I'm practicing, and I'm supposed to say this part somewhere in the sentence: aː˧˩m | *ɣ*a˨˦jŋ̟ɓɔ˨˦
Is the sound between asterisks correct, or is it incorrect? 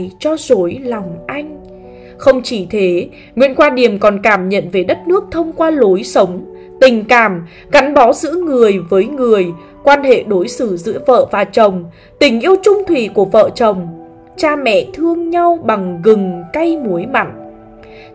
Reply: correct